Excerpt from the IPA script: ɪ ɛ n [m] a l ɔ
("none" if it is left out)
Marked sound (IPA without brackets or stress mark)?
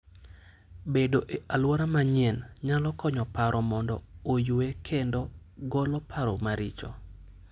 ɲ